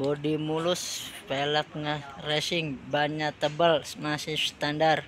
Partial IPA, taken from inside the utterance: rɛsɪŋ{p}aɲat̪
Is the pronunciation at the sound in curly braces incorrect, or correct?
incorrect